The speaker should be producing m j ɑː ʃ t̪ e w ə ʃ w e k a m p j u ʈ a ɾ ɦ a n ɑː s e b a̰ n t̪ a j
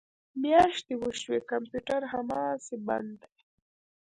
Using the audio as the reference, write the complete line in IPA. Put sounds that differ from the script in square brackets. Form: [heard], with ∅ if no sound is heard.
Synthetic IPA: m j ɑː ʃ t̪ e w ə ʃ w e k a m p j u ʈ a ɾ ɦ a [m] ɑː s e b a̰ n [d̪] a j